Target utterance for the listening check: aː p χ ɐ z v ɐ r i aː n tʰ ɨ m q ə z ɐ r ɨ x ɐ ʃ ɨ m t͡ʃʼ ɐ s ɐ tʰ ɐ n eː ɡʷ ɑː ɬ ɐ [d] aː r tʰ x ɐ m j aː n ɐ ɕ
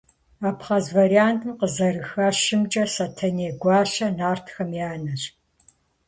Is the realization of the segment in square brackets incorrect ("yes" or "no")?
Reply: yes